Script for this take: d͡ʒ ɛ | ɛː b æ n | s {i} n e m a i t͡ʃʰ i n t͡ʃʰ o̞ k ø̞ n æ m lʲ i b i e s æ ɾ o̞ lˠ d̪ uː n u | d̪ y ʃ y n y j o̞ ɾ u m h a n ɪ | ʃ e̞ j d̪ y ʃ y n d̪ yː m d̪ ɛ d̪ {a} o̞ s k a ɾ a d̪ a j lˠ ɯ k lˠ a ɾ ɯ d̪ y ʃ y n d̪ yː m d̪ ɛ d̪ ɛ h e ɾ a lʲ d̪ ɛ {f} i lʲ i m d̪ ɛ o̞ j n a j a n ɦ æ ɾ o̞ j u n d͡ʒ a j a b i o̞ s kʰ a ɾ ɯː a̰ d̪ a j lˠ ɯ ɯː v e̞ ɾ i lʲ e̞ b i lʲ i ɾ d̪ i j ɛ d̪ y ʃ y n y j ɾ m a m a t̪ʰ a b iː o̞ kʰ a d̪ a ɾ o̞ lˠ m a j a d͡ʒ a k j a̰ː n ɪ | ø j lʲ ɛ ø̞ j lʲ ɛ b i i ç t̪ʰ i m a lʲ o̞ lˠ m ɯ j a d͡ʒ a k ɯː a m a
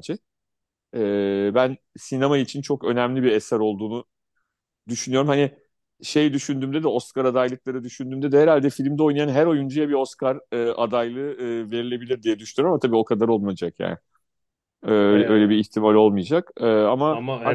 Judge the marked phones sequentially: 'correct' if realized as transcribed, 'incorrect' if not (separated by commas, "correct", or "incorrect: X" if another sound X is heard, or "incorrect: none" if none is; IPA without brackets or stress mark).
correct, incorrect: ɛ, correct